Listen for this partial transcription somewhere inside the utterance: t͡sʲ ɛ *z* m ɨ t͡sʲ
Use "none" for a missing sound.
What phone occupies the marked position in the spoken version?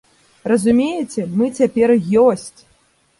none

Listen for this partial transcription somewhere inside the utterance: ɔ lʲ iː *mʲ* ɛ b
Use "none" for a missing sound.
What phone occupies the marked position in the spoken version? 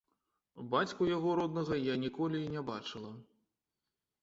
nʲ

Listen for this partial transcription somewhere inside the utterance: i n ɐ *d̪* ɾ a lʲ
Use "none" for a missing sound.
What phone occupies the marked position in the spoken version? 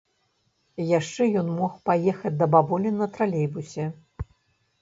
t̪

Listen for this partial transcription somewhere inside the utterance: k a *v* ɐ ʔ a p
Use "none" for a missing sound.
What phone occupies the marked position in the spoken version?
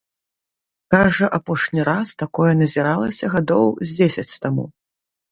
ʐ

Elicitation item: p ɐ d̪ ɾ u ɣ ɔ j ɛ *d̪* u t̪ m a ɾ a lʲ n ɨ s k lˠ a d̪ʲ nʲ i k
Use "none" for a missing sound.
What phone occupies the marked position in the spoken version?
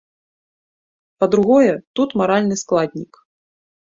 t̪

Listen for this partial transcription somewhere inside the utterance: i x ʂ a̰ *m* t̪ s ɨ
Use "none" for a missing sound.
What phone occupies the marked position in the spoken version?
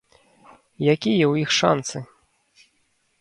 n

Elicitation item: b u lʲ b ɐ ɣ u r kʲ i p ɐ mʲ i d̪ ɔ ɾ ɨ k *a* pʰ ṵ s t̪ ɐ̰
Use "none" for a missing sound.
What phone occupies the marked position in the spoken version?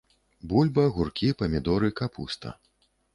a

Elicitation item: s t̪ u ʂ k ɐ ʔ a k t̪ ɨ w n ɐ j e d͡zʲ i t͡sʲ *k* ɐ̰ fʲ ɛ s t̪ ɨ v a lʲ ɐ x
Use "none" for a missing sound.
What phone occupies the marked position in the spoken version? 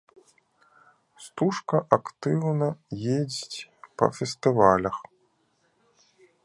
p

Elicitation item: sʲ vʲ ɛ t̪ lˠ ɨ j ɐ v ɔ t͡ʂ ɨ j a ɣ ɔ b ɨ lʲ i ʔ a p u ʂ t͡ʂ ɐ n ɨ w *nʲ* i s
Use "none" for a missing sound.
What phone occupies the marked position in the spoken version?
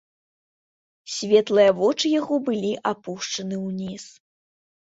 nʲ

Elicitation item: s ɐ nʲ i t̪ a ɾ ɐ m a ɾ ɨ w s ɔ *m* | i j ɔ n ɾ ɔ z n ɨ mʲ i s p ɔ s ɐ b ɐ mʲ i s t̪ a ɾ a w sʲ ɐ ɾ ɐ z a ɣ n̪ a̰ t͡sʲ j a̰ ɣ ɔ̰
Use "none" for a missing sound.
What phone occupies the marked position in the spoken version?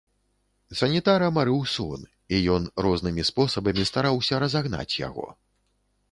n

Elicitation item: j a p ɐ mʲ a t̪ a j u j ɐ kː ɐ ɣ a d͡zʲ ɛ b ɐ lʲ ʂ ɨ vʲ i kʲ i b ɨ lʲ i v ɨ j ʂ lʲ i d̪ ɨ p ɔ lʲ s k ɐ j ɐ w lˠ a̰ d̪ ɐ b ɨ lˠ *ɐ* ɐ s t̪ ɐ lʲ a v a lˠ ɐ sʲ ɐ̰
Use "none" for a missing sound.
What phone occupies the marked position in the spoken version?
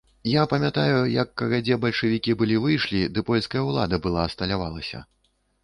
a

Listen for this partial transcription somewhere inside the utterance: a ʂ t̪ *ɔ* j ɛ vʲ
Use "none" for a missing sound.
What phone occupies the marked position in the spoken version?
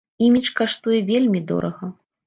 u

